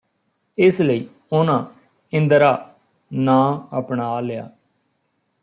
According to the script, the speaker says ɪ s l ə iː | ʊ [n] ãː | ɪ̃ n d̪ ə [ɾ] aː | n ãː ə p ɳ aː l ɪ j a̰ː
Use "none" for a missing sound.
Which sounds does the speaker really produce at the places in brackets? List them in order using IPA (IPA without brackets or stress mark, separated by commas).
n, ɾ